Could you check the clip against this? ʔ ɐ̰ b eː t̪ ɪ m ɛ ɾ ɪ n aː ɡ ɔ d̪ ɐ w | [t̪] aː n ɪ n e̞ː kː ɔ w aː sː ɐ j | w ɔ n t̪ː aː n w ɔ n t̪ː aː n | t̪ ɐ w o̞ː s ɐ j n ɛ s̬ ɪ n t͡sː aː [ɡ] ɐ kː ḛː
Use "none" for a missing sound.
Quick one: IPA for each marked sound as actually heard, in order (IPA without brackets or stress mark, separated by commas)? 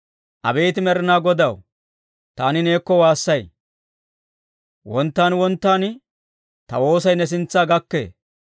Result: t̪, ɡ